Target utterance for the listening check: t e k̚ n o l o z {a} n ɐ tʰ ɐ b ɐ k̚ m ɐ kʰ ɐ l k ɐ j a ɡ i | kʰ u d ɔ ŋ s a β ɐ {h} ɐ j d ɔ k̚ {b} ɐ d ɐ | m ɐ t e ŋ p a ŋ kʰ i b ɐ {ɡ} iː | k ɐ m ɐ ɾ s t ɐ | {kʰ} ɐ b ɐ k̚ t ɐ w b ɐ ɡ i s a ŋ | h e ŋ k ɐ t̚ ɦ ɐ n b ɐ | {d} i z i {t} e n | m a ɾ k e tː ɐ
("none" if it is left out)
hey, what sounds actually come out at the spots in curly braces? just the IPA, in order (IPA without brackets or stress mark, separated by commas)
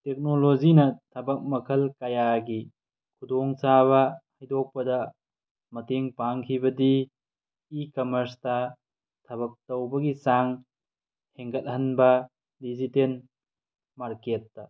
i, h, p, d, tʰ, d, t